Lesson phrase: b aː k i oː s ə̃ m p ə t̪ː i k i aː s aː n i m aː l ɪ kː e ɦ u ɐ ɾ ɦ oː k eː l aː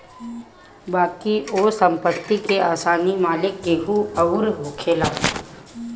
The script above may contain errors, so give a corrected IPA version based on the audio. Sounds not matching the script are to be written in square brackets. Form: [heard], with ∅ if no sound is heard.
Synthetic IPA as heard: b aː k i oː s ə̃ m p ə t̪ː i k [e] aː s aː n i m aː l ɪ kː e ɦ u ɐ ɾ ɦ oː [kʰ] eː l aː